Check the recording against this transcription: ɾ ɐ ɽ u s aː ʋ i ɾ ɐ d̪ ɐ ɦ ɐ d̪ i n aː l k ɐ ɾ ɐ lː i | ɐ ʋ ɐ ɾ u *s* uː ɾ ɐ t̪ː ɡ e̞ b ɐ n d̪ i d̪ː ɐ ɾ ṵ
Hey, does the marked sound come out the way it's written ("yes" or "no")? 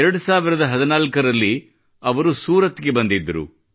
yes